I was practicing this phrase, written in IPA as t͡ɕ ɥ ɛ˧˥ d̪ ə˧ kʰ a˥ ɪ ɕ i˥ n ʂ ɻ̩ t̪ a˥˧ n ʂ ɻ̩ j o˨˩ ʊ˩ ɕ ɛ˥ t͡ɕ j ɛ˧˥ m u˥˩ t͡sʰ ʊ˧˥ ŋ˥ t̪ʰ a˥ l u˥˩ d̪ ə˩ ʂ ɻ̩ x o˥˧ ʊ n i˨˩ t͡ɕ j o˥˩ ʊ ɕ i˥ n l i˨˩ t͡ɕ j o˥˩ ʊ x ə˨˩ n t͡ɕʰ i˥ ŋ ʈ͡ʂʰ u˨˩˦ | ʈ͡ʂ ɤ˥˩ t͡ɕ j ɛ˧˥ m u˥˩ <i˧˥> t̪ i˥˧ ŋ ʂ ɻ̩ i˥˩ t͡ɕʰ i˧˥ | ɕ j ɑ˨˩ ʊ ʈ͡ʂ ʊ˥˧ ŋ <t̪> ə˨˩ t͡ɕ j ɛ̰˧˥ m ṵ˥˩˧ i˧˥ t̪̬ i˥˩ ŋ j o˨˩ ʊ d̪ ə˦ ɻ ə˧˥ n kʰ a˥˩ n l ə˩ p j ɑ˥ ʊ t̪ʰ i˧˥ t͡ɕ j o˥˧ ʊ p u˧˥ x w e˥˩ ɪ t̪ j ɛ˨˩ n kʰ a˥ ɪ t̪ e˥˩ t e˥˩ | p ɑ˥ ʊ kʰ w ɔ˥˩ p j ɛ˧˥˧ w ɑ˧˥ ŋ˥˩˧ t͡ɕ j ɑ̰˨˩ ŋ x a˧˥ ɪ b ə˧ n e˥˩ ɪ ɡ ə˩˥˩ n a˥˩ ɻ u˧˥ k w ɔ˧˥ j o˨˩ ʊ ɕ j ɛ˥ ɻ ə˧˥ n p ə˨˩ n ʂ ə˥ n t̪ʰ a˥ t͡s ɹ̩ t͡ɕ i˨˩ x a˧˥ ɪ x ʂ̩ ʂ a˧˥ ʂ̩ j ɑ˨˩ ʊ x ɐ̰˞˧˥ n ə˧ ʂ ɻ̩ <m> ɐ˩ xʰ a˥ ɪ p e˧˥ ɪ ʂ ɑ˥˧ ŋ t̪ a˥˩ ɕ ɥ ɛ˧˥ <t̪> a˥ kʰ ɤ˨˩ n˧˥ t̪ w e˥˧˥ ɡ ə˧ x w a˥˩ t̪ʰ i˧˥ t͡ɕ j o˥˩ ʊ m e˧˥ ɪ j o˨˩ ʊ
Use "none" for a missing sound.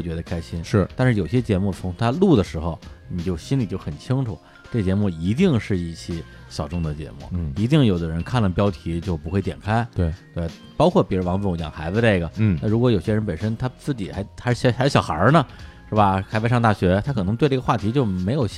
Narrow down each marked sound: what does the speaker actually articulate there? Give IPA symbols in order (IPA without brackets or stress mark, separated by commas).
i˧˥, d̪, b, t̪ʰ